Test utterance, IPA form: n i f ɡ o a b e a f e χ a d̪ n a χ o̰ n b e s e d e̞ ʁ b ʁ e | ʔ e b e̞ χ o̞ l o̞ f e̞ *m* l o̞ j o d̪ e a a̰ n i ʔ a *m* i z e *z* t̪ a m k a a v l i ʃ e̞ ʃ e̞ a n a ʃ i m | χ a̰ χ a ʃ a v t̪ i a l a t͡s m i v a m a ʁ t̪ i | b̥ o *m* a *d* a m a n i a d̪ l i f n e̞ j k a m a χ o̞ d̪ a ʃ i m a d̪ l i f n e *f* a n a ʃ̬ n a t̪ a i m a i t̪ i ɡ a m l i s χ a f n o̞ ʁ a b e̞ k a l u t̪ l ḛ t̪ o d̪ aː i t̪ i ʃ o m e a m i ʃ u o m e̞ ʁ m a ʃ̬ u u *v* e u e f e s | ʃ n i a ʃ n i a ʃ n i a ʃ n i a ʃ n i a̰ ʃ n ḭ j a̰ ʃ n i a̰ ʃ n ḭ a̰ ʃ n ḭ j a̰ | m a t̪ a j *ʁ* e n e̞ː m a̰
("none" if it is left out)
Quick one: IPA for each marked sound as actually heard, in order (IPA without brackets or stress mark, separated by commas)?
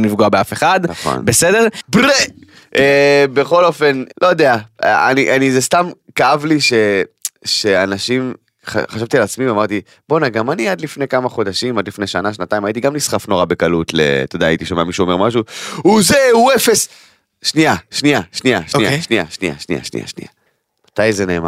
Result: n, n, s, n, ɡ, ʃ, z, z